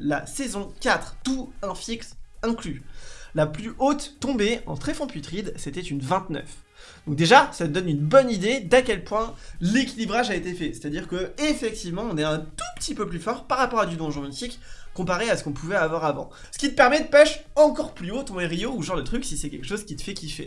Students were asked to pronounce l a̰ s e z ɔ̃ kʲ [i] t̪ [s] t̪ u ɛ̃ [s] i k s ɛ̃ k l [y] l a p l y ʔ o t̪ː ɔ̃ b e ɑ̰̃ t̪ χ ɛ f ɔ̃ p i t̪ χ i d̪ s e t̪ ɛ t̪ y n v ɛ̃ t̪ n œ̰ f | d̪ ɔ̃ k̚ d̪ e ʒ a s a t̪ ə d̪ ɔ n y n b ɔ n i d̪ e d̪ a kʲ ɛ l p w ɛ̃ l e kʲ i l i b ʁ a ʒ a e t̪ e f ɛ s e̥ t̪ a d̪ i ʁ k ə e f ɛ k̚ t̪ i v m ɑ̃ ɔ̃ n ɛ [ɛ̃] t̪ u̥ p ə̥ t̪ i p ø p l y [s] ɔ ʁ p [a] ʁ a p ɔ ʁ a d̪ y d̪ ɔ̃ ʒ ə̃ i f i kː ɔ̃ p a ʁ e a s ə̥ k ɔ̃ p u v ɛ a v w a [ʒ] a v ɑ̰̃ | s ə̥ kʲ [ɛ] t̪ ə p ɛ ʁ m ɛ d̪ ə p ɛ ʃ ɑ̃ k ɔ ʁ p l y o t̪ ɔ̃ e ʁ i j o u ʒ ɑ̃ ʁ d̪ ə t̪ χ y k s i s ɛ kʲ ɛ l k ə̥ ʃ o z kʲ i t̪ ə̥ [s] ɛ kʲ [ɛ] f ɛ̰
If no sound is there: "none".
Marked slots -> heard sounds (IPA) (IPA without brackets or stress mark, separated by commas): a, χ, f, y, ɛ̃, f, a, ʁ, i, f, i